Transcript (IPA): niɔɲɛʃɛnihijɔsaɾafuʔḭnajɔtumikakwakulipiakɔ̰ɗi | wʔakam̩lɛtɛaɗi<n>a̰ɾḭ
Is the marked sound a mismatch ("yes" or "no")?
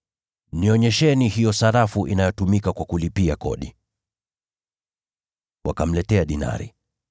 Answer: no